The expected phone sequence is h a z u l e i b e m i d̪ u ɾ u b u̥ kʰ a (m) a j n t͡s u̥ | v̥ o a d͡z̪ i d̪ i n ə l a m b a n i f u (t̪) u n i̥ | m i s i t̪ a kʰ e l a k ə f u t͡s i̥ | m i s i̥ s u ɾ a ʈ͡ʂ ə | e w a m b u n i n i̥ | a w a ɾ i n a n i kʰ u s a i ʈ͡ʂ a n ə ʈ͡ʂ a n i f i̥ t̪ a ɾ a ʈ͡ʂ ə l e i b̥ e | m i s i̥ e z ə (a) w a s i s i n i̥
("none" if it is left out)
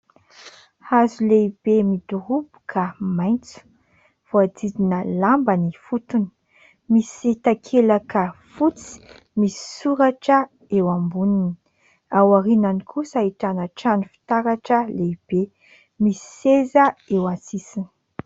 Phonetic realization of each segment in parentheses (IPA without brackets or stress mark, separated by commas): m, t̪, e